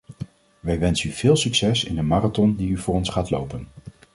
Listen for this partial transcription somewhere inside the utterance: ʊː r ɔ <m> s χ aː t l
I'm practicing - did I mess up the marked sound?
yes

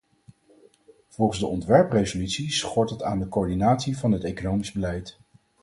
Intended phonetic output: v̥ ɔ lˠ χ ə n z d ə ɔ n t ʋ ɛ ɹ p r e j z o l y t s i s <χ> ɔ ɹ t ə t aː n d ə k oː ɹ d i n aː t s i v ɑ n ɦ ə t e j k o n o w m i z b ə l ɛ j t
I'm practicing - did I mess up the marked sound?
no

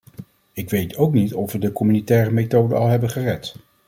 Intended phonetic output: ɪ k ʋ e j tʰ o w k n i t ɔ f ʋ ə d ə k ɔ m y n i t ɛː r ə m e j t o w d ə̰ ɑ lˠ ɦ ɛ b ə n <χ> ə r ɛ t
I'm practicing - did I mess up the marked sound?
no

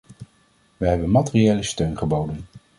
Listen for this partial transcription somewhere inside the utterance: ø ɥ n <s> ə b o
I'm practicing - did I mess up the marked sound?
yes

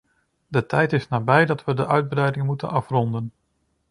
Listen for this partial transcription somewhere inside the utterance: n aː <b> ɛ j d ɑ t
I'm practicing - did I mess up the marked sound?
no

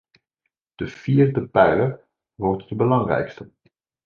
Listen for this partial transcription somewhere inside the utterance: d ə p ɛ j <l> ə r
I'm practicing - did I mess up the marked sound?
no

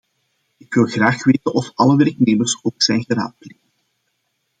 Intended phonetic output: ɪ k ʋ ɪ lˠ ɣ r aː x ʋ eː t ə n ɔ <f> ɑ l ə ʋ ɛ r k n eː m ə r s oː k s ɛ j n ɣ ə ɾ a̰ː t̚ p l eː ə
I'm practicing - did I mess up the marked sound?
no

